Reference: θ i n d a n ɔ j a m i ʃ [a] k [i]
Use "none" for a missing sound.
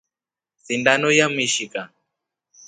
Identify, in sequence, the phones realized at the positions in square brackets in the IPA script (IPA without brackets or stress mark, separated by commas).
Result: i, a